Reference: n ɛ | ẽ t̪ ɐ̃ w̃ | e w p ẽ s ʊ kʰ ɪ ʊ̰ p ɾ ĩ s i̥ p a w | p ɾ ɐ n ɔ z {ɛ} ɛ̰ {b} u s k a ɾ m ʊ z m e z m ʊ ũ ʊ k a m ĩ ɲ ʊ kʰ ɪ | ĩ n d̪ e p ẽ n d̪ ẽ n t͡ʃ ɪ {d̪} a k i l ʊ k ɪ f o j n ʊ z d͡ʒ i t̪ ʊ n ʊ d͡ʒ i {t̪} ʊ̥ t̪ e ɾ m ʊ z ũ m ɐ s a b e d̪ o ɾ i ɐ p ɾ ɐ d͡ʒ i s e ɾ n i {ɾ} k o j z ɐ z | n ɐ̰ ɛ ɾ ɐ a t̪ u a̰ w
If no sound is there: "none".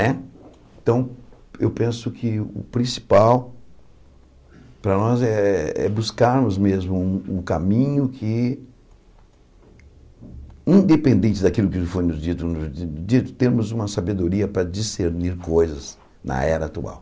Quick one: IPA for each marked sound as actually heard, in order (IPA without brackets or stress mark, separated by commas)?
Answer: ɛ, b, d̪, t̪, ɾ